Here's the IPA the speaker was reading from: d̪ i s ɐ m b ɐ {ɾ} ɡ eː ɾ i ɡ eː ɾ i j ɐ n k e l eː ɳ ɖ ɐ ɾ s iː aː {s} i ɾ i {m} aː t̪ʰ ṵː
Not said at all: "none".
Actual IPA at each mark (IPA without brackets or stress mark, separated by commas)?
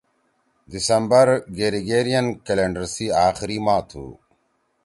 ɾ, x, m